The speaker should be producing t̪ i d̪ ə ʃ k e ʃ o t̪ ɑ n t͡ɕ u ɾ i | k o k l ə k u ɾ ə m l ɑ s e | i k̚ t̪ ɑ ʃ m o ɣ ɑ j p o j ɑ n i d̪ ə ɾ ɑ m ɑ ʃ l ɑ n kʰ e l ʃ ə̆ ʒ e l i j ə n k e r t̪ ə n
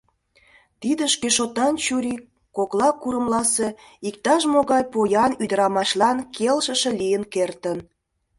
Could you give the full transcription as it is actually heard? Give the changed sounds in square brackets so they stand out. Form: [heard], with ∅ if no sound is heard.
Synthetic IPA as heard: t̪ i d̪ ə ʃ k e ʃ o t̪ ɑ n t͡ɕ u ɾ i | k o k l [ɑ] k u ɾ ə m l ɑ s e | i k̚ t̪ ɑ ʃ m o ɣ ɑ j p o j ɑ n [y] d̪ ə ɾ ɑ m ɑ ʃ l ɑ n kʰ e l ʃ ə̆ [ʃ] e l i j ə n k e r t̪ ə n